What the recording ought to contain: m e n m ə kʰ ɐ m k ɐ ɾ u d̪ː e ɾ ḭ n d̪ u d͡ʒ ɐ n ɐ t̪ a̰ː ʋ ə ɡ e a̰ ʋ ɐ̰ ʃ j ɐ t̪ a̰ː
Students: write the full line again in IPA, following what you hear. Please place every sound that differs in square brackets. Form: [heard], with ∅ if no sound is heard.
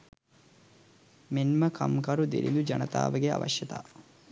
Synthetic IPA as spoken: m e n m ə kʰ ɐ m k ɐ ɾ u [d̪] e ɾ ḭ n d̪ u d͡ʒ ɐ n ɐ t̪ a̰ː ʋ ə ɡ e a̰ ʋ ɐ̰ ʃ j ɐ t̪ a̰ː